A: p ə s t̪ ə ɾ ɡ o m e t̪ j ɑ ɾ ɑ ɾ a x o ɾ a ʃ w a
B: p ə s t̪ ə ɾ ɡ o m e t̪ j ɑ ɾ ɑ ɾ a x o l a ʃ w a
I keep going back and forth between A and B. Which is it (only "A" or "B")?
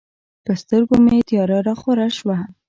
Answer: A